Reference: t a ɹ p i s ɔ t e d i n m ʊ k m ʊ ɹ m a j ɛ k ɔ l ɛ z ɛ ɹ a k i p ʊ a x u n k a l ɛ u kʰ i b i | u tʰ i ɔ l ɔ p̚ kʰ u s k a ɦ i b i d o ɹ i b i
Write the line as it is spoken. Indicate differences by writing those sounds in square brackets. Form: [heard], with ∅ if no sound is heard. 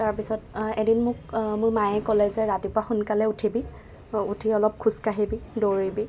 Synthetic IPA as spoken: t a ɹ p i s ɔ t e d i n m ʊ k m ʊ ɹ m a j ɛ k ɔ l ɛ z ɛ ɹ a [t] i p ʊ a x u n k a l ɛ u [tʰ] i b i | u tʰ i ɔ l ɔ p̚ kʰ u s k a ɦ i b i d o ɹ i b i